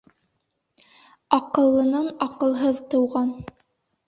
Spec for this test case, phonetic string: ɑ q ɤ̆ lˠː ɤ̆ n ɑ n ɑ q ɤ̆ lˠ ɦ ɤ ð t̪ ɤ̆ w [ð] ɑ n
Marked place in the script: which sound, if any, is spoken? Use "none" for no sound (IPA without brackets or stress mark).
ʁ